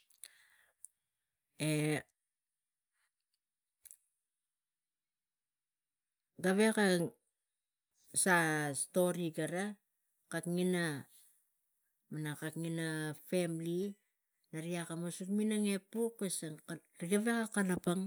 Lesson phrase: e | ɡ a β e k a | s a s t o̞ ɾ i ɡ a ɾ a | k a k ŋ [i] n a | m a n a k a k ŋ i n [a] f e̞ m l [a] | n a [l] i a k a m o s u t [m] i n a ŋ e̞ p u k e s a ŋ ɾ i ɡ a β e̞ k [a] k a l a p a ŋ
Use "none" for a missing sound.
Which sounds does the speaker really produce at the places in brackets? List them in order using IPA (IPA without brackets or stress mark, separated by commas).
i, a, i, ɾ, m, a